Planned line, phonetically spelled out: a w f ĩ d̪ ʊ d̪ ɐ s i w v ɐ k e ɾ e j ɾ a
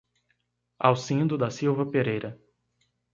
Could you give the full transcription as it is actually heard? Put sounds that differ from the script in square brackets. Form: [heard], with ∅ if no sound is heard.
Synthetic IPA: a w [s] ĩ d̪ ʊ d̪ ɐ s i w v ɐ [p] e ɾ e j ɾ [ɐ]